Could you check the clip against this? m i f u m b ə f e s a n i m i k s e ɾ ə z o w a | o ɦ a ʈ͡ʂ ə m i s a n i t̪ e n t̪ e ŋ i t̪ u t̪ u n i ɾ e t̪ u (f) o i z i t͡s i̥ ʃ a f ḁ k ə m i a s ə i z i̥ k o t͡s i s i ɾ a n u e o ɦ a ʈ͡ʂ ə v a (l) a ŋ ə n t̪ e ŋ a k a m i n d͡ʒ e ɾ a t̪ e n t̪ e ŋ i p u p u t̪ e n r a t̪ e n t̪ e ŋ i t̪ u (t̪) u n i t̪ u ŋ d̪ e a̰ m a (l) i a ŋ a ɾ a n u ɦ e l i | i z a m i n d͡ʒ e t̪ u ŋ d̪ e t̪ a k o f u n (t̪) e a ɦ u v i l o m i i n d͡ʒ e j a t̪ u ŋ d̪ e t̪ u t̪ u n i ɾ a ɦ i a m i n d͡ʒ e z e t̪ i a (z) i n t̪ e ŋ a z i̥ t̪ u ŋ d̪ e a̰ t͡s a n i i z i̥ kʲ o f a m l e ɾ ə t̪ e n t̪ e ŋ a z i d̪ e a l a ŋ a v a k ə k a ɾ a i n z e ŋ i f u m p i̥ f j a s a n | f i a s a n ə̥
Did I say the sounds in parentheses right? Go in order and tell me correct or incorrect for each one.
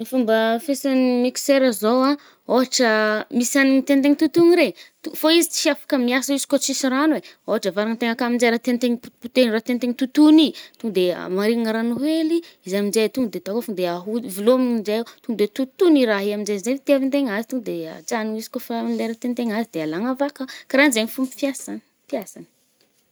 correct, incorrect: ɾ, correct, incorrect: ɾ, incorrect: d̪, incorrect: v

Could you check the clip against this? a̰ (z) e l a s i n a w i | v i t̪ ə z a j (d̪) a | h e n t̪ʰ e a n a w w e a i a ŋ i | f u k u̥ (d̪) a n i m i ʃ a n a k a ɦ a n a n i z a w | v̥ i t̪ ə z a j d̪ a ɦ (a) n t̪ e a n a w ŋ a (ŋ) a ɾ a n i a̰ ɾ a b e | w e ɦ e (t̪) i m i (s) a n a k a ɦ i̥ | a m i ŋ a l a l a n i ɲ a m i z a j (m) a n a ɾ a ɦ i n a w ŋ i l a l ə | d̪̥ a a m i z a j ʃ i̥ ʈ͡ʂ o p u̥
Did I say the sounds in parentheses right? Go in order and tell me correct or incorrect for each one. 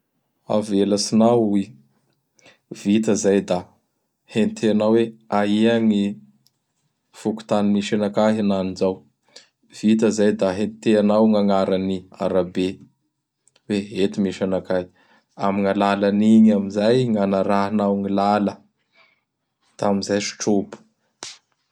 incorrect: v, correct, incorrect: t̪, incorrect: e, correct, correct, incorrect: ʃ, incorrect: ŋ

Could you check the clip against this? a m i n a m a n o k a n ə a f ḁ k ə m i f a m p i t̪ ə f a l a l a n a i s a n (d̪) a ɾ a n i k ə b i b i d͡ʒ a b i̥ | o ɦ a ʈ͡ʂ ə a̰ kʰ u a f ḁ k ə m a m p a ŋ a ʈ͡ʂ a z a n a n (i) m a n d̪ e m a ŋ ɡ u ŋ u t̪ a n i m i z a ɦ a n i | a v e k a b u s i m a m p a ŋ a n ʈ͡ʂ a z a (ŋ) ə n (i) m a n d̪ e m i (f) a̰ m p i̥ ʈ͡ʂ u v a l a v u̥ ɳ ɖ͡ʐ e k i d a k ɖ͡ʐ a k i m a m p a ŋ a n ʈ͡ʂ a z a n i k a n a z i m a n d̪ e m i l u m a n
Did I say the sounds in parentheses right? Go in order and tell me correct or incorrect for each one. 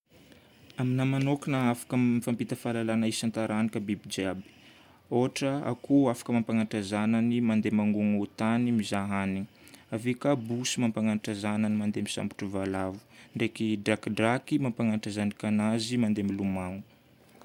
incorrect: t̪, correct, incorrect: n, correct, incorrect: s

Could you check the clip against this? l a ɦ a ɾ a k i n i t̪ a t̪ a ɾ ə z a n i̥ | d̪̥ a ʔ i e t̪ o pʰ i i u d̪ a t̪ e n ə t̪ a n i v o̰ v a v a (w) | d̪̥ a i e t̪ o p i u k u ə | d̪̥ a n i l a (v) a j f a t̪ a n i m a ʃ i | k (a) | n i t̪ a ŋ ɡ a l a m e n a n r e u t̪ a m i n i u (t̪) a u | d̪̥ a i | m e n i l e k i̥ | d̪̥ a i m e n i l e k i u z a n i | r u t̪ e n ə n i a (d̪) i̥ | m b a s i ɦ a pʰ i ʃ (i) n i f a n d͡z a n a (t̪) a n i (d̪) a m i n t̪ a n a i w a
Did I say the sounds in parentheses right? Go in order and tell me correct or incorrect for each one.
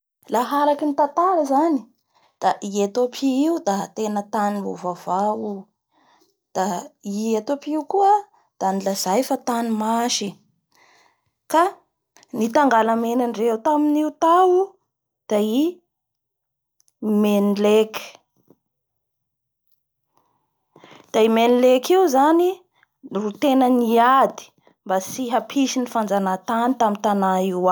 incorrect: u, incorrect: z, correct, correct, correct, correct, correct, incorrect: t̪

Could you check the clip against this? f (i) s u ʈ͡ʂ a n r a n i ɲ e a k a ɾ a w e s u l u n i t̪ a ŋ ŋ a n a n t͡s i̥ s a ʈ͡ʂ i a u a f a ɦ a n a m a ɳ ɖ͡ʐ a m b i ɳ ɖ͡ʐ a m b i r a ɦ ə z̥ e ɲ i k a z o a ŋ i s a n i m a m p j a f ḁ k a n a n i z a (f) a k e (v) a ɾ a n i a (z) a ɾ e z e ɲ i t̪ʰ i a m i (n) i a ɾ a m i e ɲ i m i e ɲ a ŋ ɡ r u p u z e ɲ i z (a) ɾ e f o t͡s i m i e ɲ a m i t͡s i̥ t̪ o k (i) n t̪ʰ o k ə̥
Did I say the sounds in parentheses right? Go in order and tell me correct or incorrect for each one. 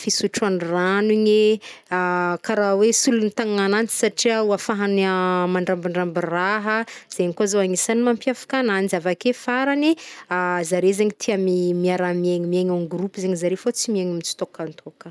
correct, incorrect: v, incorrect: f, correct, incorrect: m, correct, incorrect: a

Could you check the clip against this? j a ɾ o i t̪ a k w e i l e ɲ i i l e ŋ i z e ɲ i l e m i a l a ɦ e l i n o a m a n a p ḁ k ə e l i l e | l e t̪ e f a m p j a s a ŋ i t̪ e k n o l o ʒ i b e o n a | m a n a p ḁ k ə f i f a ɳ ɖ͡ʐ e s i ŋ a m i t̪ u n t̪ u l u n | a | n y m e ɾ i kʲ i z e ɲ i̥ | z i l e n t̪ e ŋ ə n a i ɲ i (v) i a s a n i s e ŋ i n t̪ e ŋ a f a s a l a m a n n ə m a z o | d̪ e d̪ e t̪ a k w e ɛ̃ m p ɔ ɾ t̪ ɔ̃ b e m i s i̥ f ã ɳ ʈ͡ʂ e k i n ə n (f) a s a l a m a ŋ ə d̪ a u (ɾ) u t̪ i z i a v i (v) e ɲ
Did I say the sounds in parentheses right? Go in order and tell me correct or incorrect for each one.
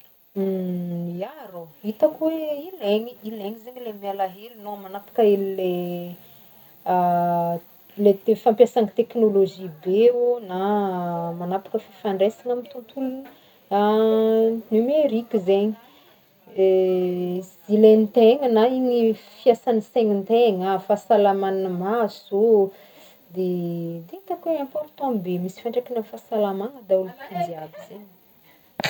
incorrect: f, correct, incorrect: l, incorrect: z

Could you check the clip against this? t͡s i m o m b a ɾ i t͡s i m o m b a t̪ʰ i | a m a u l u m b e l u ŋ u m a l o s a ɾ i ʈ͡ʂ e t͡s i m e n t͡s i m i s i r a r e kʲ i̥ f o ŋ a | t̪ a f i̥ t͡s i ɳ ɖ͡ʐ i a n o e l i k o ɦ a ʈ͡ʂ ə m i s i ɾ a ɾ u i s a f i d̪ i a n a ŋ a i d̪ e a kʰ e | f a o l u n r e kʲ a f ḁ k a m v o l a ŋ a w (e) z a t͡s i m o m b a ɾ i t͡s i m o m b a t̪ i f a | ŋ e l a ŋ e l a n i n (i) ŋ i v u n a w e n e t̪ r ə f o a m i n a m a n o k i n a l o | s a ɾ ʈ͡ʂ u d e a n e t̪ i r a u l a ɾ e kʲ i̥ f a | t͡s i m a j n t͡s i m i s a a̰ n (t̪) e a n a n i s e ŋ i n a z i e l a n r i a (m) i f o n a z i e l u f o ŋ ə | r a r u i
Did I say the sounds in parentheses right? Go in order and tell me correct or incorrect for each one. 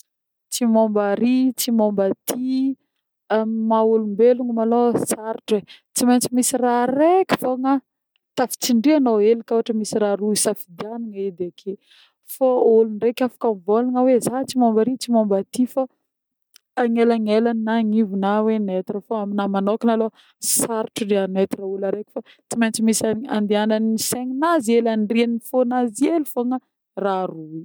correct, incorrect: a, incorrect: d̪, incorrect: n

